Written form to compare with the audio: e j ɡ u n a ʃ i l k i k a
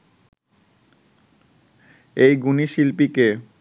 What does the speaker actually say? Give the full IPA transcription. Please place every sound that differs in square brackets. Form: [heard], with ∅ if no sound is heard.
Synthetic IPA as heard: e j ɡ u n [i] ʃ i l [p] i k [e]

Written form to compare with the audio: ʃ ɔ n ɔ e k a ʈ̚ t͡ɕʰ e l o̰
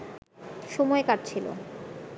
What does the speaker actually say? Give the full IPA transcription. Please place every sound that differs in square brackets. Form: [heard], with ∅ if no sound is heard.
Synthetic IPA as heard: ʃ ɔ [m] ɔ e k a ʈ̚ t͡ɕʰ [i] l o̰

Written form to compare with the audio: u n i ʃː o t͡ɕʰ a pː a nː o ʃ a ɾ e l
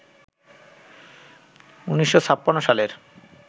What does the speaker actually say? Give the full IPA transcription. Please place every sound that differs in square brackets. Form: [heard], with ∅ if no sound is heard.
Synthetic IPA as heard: u n i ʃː o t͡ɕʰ a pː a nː o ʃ a [l] e [ɾ]

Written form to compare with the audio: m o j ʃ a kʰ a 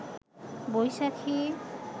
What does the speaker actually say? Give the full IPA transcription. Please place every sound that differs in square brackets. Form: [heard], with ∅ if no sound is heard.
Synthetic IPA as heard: [b] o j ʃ a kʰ [i]

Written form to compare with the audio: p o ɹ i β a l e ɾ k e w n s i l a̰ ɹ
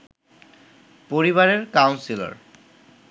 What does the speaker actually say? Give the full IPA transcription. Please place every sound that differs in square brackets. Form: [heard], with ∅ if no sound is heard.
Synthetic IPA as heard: p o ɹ i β a [ɹ] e [ɹ] k [a] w n s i l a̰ ɹ

